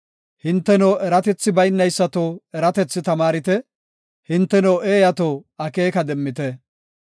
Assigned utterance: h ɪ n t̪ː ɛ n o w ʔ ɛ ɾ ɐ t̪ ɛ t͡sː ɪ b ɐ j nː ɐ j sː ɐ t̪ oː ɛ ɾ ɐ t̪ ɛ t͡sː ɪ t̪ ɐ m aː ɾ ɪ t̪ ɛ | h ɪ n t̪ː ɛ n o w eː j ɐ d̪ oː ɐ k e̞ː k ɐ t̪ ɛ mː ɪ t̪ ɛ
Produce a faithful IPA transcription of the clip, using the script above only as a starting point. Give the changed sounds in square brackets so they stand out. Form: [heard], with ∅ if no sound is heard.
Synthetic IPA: h ɪ n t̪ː ɛ n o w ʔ ɛ ɾ ɐ t̪ ɛ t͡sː ɪ b ɐ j nː ɐ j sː ɐ t̪ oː ɛ ɾ ɐ t̪ ɛ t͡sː ɪ t̪ ɐ m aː ɾ ɪ t̪ ɛ | h ɪ n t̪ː ɛ n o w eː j ɐ [t̪] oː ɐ k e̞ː k ɐ [d̪] ɛ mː ɪ t̪ ɛ